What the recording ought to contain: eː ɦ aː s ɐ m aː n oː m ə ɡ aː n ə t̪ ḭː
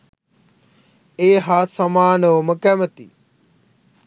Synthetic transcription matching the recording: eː ɦ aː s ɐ m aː n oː m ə k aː m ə t̪ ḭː